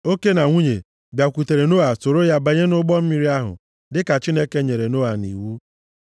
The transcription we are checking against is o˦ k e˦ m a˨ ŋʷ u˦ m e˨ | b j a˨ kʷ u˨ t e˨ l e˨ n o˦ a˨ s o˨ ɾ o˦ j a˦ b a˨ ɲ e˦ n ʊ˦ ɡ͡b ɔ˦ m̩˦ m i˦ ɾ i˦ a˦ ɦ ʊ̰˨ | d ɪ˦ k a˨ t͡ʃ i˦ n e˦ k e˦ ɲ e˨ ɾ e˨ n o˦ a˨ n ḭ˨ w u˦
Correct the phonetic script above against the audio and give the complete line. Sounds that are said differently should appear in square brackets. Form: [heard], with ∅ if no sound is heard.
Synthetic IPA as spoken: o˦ k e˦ [n] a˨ ŋʷ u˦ [ɲ] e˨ | b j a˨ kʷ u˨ t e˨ [ɾ] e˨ n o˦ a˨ s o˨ ɾ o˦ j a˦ b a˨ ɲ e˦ n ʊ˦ ɡ͡b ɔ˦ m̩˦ m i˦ ɾ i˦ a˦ ɦ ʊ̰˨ | d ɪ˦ k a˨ t͡ʃ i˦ n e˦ k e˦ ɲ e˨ ɾ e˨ n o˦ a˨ n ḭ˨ w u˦